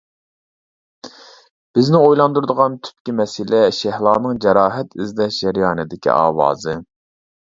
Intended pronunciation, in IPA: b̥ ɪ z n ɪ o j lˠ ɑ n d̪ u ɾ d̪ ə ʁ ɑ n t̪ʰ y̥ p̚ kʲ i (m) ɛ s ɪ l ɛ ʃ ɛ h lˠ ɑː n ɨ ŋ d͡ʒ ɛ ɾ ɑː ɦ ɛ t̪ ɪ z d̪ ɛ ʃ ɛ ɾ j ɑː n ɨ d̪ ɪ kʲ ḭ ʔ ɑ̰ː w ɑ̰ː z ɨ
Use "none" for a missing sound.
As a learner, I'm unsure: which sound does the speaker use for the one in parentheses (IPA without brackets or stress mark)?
m